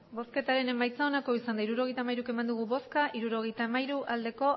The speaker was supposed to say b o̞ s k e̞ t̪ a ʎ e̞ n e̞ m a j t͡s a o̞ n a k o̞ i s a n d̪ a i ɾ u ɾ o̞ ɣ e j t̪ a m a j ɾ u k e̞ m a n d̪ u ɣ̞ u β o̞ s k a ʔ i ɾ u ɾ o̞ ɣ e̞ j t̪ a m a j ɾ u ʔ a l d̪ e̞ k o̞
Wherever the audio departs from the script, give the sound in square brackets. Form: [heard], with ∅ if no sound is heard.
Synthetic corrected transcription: b o̞ s k e̞ t̪ a [ɾ] e̞ n e̞ m a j t͡s a o̞ n a k o̞ i s a n d̪ a i ɾ u ɾ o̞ ɣ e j t̪ a m a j ɾ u k e̞ m a n d̪ u ɣ̞ u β o̞ s k a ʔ i ɾ u ɾ o̞ ɣ e̞ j t̪ a m a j ɾ u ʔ a l d̪ e̞ k o̞